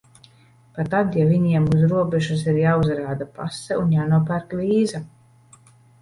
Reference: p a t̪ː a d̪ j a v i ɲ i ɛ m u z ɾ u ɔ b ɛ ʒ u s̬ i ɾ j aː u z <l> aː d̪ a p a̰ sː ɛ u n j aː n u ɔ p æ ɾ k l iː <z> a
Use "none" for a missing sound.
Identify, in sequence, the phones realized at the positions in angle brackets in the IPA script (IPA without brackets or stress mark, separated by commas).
ɾ, z